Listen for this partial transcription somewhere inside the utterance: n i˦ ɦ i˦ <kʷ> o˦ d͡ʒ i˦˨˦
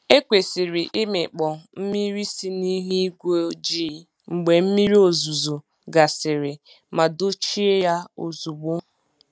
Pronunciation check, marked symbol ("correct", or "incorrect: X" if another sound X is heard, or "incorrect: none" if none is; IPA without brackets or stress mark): incorrect: ɡʷ